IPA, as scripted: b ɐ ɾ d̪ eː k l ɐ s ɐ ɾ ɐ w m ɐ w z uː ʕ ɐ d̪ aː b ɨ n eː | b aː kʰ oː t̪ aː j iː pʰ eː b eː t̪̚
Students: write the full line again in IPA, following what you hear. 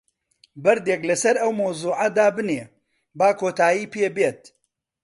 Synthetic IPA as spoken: b ɐ ɾ d̪ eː k l ɐ s ɐ ɾ ɐ w m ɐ w z uː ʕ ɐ d̪ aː b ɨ n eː | b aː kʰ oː t̪ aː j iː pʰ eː b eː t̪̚